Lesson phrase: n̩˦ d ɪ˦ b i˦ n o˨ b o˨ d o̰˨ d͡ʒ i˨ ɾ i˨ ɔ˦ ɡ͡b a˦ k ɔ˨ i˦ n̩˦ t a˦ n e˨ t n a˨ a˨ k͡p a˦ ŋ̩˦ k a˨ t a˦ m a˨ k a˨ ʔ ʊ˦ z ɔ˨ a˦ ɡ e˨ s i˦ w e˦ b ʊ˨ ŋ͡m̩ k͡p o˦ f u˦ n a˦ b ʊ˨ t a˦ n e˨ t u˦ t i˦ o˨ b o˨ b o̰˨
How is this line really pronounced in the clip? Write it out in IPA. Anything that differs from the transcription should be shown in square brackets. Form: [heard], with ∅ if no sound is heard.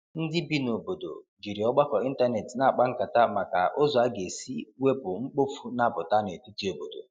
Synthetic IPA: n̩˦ d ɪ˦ b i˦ n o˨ b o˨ d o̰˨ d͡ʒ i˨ ɾ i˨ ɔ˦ ɡ͡b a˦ k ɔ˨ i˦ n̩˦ t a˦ n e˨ t n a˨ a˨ k͡p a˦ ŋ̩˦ k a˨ t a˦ m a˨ k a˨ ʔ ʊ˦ z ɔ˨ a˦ ɡ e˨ s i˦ w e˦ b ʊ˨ ŋ͡m̩ k͡p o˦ f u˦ n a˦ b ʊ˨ t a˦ n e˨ t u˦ t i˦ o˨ b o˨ [d] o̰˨